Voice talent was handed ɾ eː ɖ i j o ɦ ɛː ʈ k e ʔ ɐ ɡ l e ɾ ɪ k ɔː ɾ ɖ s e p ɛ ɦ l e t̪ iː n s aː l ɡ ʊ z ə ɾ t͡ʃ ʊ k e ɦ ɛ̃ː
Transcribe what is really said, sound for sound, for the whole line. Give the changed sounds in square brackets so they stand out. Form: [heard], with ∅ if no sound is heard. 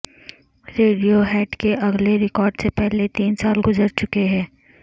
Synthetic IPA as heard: ɾ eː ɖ i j o ɦ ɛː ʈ k e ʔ ɐ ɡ l e ɾ ɪ k ɔː ɾ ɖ s e p ɛ ɦ l e t̪ iː n s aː l ɡ ʊ z ə ɾ t͡ʃ ʊ k e ɦ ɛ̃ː

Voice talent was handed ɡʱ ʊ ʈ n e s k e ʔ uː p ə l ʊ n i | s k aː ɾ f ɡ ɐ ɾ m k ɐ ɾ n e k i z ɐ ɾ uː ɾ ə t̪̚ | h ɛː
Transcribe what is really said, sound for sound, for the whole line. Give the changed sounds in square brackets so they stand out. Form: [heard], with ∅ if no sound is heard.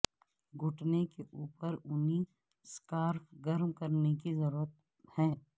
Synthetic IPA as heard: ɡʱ ʊ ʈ n e [∅] k e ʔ uː p ə [ɾ] ʊ n i | s k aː ɾ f ɡ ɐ ɾ m k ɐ ɾ n e k i z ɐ ɾ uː ɾ ə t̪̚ | h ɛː

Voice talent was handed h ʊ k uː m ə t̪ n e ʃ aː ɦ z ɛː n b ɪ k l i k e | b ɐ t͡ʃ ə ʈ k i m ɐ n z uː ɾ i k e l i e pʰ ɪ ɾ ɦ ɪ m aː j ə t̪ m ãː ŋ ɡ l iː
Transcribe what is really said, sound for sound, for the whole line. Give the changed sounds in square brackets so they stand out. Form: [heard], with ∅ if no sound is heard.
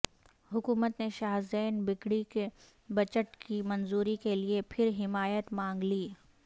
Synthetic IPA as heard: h ʊ k uː m ə t̪ n e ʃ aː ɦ z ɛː n b ɪ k [ɽ] i k e | b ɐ t͡ʃ ə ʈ k i m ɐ n z uː ɾ i k e l i e pʰ ɪ ɾ ɦ ɪ m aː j ə t̪ m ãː ŋ ɡ l iː

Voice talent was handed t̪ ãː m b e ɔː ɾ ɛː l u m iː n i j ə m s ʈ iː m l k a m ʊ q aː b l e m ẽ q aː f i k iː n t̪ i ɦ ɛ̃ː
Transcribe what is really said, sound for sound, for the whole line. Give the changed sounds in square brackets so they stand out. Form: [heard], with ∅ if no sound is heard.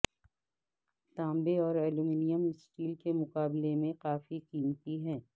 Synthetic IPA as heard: t̪ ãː m b e ɔː ɾ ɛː l u m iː n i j ə m s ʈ iː [∅] l k [e] m ʊ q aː b l e m ẽ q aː f i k iː [m] t̪ i ɦ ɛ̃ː

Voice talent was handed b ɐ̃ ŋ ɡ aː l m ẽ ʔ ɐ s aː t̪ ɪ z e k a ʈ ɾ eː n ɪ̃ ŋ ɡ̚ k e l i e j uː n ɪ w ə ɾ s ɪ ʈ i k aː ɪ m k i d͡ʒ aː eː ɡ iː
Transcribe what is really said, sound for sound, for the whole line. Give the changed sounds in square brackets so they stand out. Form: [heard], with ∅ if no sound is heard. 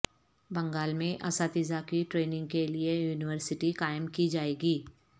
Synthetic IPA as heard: b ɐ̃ ŋ ɡ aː l m ẽ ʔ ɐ s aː t̪ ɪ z [a] k [i] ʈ ɾ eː n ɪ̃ ŋ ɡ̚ k e l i e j uː n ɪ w ə ɾ s ɪ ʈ i k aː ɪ m k i d͡ʒ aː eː ɡ iː

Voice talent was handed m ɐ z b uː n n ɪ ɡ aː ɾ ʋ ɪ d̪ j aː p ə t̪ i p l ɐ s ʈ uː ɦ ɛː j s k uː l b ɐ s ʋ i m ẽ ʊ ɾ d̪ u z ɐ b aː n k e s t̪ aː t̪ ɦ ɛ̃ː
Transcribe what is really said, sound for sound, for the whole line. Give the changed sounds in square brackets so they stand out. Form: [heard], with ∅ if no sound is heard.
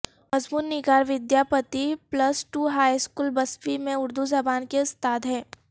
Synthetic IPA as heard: m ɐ z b uː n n ɪ ɡ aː ɾ ʋ ɪ d̪ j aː p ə t̪ i p l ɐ s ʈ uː ɦ [aː] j s k uː l b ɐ s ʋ i m ẽ ʊ ɾ d̪ u z ɐ b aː n k e s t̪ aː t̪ ɦ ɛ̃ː

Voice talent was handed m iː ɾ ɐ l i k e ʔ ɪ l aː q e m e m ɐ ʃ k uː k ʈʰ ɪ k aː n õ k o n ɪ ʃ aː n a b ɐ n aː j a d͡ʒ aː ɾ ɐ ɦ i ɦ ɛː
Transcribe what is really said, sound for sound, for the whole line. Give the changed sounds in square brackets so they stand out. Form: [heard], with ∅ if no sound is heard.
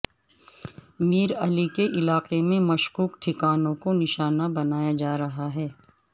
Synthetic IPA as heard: m iː ɾ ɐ l i k e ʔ ɪ l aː q e m [ẽ] m ɐ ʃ k uː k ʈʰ ɪ k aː n õ k o n ɪ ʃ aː n a b ɐ n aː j a d͡ʒ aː ɾ ɐ ɦ [a] ɦ ɛː

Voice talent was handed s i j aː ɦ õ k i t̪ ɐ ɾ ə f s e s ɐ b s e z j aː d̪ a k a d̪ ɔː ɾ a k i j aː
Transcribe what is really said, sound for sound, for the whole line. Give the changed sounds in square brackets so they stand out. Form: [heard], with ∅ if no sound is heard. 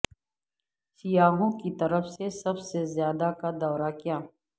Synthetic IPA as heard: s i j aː ɦ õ k i t̪ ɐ ɾ ə f s e s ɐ b s e z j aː d̪ a k a d̪ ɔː ɾ a k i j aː

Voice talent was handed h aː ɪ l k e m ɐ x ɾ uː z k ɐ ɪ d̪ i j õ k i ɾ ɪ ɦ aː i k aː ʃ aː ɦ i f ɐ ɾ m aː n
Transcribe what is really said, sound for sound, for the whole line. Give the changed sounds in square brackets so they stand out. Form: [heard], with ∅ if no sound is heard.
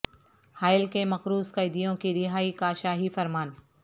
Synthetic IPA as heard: h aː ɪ l k e m ɐ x ɾ uː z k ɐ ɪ d̪ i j õ k i ɾ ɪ ɦ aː i k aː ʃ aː ɦ i f ɐ ɾ m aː n

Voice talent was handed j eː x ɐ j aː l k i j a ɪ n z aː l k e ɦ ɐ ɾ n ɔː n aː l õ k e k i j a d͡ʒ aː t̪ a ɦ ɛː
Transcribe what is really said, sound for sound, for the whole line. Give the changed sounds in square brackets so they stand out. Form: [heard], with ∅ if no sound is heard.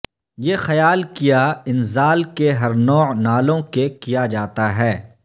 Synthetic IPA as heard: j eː x ɐ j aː l k i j a ɪ n z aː l k e ɦ ɐ ɾ n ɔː n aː l õ k e k i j a d͡ʒ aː t̪ a ɦ ɛː

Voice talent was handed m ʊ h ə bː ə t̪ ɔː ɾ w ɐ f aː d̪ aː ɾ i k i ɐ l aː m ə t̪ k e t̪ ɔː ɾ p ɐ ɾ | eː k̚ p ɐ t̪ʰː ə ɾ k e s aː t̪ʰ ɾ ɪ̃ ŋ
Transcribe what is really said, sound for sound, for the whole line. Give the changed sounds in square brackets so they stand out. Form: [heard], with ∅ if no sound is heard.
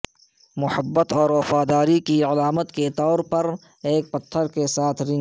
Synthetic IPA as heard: m ʊ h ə bː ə t̪ ɔː ɾ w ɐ f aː d̪ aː ɾ i k i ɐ l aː m ə t̪ k e t̪ ɔː ɾ p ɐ ɾ | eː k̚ p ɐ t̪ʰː ə ɾ k e s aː t̪ʰ ɾ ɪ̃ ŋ

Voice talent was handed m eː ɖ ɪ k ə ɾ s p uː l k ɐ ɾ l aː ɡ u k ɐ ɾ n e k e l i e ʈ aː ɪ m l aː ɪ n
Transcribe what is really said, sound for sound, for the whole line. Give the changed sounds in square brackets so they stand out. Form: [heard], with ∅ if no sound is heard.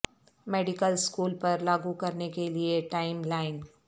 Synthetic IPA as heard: m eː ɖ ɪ k ə [l] s [k] uː l [p] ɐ ɾ l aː ɡ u k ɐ ɾ n e k e l i e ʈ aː ɪ m l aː ɪ n

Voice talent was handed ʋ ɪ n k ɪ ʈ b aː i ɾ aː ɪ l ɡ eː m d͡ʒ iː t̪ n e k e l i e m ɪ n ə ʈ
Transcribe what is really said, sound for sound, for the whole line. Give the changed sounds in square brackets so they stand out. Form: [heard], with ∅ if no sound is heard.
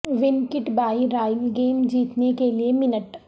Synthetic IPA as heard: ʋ ɪ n k ɪ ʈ b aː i ɾ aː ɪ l ɡ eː m d͡ʒ iː t̪ n e k e l i e m ɪ n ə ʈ

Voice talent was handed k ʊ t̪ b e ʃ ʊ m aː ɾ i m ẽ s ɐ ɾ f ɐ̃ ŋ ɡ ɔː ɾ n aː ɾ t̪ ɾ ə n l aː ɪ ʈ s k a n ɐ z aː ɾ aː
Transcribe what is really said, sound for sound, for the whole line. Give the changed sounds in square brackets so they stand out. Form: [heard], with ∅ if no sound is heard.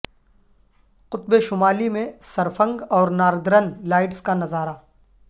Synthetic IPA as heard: [q] ʊ t̪ b e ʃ ʊ m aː [l] i m ẽ s ɐ ɾ f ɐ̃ ŋ ɡ ɔː ɾ n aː ɾ [d̪] ɾ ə n l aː ɪ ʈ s k a n ɐ z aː ɾ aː

